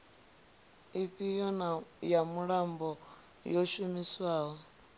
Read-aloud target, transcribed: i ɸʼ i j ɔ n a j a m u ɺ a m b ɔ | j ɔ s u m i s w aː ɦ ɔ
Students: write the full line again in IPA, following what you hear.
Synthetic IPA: i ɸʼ i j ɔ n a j a m u ɺ a m b ɔ | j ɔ ʃ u m i s w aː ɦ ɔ